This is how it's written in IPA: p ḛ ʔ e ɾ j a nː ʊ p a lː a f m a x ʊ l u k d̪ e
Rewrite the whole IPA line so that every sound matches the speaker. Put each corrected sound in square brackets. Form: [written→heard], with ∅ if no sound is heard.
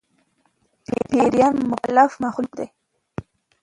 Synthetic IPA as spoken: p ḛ [ʔ→p] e ɾ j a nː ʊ [p→k] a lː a f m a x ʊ l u k d̪ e

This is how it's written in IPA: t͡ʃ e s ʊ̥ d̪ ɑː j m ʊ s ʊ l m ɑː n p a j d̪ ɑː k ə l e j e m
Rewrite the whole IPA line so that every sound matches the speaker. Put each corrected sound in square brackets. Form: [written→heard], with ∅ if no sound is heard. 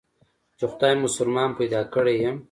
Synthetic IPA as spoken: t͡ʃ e [s→x] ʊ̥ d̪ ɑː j m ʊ s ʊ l m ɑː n p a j d̪ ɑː k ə [l→ɽ] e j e m

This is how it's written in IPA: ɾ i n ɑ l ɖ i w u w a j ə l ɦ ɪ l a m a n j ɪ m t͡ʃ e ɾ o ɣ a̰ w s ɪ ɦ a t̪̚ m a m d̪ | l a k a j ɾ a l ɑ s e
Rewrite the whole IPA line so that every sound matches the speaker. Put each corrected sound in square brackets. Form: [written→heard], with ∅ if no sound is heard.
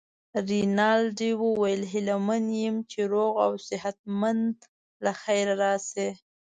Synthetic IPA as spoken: ɾ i n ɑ l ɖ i w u w a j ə l ɦ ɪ l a m a n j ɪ m t͡ʃ e ɾ o ɣ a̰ w s ɪ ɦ a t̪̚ m a [m→n] d̪ | l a [k→x] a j ɾ a [l→ɾ] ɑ s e

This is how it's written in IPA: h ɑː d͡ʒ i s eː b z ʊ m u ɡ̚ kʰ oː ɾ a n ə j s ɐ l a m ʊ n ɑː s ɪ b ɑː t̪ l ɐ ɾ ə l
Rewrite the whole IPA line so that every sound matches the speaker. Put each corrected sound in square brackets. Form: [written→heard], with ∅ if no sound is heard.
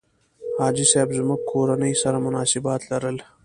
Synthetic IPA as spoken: h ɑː d͡ʒ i s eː b z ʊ m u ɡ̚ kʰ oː ɾ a n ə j s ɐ [l→ɾ] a m ʊ n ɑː s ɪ b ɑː t̪ l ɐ ɾ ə l

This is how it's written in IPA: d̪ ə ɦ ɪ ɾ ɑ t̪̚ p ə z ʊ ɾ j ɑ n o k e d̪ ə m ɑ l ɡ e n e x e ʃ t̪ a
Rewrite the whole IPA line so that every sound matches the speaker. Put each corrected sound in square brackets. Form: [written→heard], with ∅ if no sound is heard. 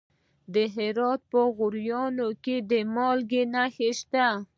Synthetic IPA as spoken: d̪ ə ɦ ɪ ɾ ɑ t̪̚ p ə [z→ɣ] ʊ ɾ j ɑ n o k e d̪ ə m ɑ l ɡ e n [e→a] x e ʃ t̪ a

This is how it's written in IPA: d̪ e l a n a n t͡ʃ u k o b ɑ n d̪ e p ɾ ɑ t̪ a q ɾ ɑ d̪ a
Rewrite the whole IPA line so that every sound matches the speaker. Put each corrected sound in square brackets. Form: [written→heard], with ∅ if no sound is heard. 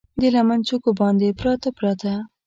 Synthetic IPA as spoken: d̪ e l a [n→m] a n t͡ʃ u k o b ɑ n d̪ e p ɾ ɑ t̪ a [q→p] ɾ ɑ [d̪→t̪] a

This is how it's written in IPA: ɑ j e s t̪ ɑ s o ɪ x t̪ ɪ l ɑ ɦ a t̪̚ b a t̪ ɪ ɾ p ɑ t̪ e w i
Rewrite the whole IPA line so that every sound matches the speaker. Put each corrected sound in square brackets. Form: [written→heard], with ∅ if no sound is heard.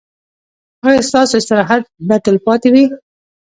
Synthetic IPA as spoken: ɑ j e s t̪ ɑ s o ɪ [x→s] t̪ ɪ [l→ɾ] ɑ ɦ a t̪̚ b a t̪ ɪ [ɾ→l] p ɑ t̪ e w i

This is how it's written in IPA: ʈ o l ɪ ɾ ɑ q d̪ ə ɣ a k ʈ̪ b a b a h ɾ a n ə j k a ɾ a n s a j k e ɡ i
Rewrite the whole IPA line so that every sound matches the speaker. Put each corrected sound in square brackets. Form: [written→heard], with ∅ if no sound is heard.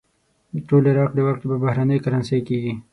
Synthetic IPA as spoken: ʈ o l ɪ ɾ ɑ q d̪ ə [ɣ→w] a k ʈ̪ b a b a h ɾ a n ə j k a ɾ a n s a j k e ɡ i

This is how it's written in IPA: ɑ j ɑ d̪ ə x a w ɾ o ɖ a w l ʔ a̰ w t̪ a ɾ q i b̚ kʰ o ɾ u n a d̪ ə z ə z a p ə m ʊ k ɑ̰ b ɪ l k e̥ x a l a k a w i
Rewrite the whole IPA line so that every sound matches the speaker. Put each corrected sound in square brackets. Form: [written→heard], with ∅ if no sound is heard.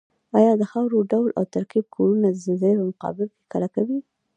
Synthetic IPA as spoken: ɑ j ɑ d̪ ə x a w ɾ o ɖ a w l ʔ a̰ w t̪ a ɾ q i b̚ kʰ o ɾ u n a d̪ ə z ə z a p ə m ʊ [k→q] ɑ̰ b ɪ l k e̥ [x→k] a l a k a w i

